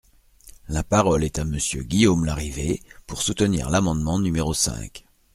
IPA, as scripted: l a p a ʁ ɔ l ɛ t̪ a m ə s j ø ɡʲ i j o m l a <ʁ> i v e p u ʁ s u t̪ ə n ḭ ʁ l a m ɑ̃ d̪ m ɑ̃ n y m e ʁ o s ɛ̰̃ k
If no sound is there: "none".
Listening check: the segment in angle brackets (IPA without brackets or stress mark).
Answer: ʁ